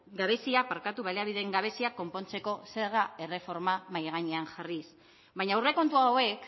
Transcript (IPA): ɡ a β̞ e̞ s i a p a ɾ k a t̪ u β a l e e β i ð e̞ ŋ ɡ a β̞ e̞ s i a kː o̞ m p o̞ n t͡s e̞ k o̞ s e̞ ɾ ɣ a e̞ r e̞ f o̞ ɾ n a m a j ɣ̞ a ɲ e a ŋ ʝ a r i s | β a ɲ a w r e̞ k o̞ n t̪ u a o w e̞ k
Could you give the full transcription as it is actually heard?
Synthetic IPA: ɡ a β̞ e̞ s i a p a ɾ k a t̪ u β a l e a β i ð e̞ ŋ ɡ a β̞ e̞ s i a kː o̞ m p o̞ n t͡s e̞ k o̞ s e̞ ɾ ɣ a e̞ r e̞ f o̞ ɾ m a m a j ɣ̞ a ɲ e a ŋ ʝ a r i s | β a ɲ a w r e̞ k o̞ n t̪ u a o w e̞ k

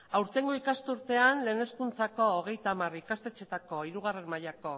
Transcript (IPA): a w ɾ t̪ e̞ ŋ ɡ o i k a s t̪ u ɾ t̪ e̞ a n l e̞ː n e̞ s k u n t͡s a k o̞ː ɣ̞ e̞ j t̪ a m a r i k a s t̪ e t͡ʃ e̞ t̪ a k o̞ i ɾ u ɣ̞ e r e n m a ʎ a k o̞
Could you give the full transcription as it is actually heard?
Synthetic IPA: a w ɾ t̪ e̞ ŋ ɡ o i k a s t̪ u ɾ t̪ e̞ a n l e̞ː n e̞ s k u n t͡s a k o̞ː ɣ̞ e̞ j t̪ a m a r i k a s t̪ e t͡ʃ e̞ t̪ a k o̞ i ɾ u ɣ̞ a r e n m a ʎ a k o̞

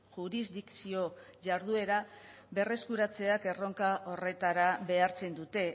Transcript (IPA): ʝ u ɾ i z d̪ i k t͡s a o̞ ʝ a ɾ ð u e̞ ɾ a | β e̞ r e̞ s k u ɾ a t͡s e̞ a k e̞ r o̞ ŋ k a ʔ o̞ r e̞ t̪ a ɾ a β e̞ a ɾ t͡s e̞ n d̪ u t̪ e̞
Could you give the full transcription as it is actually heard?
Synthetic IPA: ʝ u ɾ i z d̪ i k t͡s i o̞ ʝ a ɾ ð u e̞ ɾ a | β e̞ r e̞ s k u ɾ a t͡s e̞ a k e̞ r o̞ ŋ k a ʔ o̞ r e̞ t̪ a ɾ a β e̞ a ɾ t͡s e̞ n d̪ u t̪ e̞

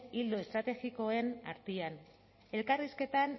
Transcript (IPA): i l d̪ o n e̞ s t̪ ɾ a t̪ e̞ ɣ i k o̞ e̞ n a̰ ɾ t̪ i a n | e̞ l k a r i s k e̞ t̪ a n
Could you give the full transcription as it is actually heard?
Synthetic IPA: i l d̪ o e̞ s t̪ ɾ a t̪ e̞ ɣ i k o̞ e̞ n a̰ ɾ t̪ i a n | e̞ l k a r i s k e̞ t̪ a n

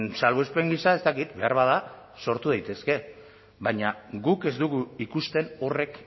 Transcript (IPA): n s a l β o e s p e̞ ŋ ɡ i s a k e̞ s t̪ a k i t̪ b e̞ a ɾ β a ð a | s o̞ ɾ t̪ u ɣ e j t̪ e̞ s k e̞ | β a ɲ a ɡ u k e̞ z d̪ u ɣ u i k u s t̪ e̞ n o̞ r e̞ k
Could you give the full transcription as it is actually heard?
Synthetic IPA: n s a l β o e s p e̞ ŋ ɡ i s a e̞ s t̪ a k i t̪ b e̞ a ɾ β a ð a | s o̞ ɾ t̪ u ð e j t̪ e̞ s k e̞ | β a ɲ a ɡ u k e̞ z d̪ u ɣ u i k u s t̪ e̞ n o̞ r e̞ k

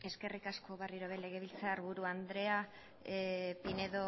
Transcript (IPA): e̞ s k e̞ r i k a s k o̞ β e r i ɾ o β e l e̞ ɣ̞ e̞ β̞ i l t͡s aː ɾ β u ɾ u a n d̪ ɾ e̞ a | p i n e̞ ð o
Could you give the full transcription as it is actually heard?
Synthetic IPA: e̞ s k e̞ r i k a s k o̞ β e r i ɾ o β e l e̞ ɣ̞ e̞ β̞ i l t͡s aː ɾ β u ɾ u a n d̪ ɾ e̞ a | p i n e̞ ð o

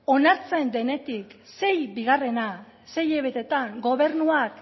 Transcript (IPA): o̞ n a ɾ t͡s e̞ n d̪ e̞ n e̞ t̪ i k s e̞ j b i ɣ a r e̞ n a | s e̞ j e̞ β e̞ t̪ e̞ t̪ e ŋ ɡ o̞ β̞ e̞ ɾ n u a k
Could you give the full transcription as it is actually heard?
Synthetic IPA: o̞ n a ɾ t͡s e̞ n d̪ e̞ n e̞ t̪ i k s e̞ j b i ɣ a r e̞ n a | s e̞ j e̞ β e̞ t̪ e̞ t̪ a ŋ ɡ o̞ β̞ e̞ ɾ n u a k

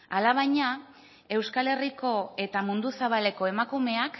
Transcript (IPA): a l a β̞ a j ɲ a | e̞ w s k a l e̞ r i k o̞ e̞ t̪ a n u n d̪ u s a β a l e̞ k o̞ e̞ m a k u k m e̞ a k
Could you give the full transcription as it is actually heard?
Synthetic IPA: a l a β̞ a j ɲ a | e̞ w s k a l e̞ r i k o̞ e̞ t̪ a m u n d̪ u s a β a l e̞ k o̞ e̞ m a k u m e̞ a k

